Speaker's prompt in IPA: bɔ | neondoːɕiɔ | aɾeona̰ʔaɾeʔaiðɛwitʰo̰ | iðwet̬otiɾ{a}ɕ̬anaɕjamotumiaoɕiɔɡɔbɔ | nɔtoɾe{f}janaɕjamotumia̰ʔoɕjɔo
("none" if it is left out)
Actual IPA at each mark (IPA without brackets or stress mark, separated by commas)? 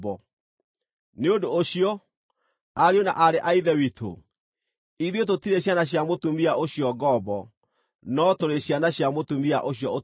e, ɕ